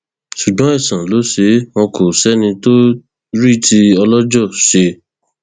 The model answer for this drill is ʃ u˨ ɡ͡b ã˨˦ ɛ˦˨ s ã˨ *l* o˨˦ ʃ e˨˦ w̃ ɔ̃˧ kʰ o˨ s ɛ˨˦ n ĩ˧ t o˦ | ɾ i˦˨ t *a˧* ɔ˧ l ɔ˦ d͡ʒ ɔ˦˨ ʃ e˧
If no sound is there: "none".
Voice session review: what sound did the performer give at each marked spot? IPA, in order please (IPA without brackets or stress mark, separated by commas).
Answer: l, i˧